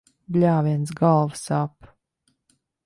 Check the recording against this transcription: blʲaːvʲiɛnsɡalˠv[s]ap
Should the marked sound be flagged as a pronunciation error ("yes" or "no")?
no